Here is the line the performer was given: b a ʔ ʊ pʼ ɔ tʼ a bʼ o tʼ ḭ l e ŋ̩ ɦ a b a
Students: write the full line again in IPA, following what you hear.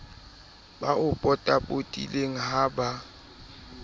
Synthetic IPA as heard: b a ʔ ʊ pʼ ɔ tʼ a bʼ o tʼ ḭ l e ŋ̩ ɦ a b a